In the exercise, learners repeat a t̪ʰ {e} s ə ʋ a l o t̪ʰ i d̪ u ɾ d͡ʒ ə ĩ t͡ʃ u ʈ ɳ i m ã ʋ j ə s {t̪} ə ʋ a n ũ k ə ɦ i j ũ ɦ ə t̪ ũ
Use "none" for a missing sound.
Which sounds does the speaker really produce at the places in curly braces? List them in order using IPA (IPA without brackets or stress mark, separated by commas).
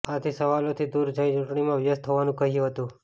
i, t̪ʰ